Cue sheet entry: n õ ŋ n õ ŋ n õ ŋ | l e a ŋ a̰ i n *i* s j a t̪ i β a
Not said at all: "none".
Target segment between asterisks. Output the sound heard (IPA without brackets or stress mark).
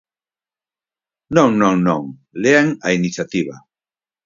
i